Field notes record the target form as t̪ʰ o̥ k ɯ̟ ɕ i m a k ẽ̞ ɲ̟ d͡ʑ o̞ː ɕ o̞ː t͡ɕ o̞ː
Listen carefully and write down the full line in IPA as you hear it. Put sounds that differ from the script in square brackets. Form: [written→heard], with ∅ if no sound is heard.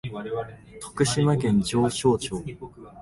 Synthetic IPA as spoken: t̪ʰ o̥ k ɯ̟ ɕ i m a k ẽ̞ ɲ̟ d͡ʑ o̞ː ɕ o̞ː t͡ɕ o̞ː